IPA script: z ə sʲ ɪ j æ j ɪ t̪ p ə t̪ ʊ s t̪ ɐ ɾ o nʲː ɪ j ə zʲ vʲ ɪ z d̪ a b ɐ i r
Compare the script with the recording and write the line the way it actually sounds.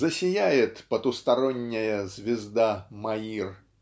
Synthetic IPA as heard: z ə sʲ ɪ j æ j ɪ t̪ p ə t̪ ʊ s t̪ ɐ ɾ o nʲː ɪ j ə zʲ vʲ ɪ z d̪ a m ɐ i r